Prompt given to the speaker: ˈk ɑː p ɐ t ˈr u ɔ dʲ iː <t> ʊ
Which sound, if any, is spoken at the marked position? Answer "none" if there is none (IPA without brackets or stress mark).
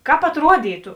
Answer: t